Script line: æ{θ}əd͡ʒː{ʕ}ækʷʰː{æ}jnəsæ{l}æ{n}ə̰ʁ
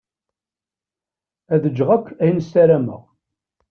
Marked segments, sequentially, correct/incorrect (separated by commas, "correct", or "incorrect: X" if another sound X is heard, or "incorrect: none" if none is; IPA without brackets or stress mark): incorrect: ð, incorrect: ʁ, correct, incorrect: ɾ, incorrect: m